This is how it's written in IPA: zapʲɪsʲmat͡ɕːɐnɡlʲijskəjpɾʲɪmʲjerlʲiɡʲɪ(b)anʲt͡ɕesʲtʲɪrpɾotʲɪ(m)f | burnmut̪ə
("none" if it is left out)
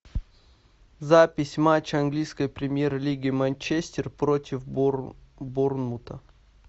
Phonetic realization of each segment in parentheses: m, none

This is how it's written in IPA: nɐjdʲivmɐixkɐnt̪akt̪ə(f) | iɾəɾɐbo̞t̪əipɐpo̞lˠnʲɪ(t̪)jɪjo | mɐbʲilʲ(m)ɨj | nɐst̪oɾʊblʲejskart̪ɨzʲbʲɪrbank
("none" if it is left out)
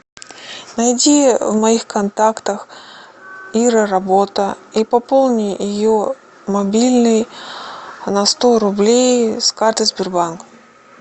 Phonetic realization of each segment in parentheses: x, none, n

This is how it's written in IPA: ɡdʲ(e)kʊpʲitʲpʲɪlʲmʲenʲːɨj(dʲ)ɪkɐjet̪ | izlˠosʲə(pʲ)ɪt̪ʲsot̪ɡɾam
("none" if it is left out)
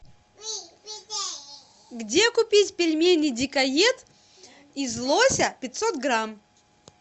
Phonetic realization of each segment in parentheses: e, dʲ, pʲ

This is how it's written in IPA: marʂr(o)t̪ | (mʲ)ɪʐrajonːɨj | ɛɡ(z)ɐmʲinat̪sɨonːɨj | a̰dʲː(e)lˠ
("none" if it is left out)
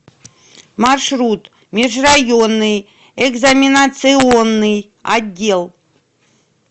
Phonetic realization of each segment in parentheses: u, mʲ, z, e

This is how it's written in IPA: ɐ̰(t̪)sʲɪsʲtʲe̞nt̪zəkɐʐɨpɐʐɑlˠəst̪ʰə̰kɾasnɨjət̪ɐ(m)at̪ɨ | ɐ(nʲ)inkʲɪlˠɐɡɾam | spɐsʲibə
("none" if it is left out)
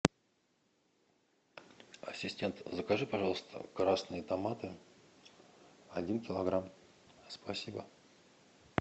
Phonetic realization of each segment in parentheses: none, m, dʲ

